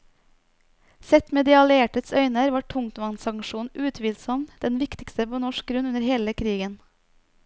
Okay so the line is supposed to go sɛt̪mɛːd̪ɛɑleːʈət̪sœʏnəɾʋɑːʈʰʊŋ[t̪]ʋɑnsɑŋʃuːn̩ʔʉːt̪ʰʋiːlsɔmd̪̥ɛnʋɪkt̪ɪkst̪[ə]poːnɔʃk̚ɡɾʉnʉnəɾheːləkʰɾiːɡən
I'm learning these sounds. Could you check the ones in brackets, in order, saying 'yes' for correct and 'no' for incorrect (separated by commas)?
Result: yes, yes